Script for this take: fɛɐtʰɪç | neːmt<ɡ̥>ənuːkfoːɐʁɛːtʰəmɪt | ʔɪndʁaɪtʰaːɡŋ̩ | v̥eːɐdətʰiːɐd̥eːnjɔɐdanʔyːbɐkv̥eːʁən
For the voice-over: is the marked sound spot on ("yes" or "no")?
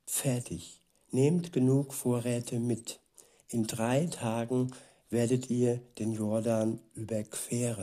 yes